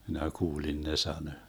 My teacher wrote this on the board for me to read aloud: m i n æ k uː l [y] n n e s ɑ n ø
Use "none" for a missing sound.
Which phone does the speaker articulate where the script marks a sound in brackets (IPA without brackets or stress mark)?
i